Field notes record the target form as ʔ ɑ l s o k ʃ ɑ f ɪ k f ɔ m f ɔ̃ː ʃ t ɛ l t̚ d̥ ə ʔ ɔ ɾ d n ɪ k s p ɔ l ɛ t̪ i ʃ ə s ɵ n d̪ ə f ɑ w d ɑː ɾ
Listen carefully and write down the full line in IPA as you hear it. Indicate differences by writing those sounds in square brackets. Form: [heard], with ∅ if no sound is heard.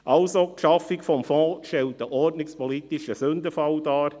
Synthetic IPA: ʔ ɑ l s o k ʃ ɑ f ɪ k f ɔ m f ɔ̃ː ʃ t ɛ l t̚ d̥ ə ʔ ɔ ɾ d n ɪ k s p ɔ l [i] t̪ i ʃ ə s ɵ n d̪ ə f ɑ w d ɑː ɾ